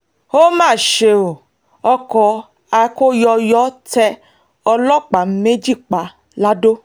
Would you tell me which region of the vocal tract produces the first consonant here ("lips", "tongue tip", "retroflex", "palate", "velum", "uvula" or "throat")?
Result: lips